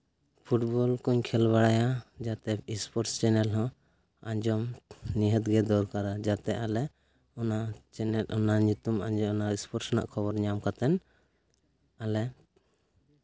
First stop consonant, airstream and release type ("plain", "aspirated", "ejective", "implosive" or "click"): aspirated